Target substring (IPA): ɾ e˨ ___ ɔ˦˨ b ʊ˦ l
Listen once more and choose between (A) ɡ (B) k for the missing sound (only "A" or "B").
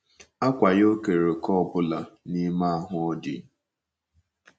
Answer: B